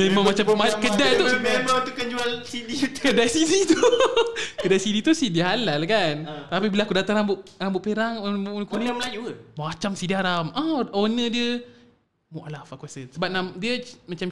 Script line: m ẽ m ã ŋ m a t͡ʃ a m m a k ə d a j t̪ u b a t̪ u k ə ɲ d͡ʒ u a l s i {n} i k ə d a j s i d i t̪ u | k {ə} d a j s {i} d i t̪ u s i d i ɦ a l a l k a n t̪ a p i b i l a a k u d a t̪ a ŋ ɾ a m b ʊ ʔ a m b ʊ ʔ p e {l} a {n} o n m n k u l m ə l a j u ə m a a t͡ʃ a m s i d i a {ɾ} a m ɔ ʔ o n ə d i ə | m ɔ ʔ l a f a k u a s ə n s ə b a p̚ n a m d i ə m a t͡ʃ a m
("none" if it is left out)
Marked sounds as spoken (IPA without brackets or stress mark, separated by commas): d, ə, i, ɾ, ŋ, ɾ